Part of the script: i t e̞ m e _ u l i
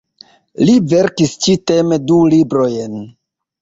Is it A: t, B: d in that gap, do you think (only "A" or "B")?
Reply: B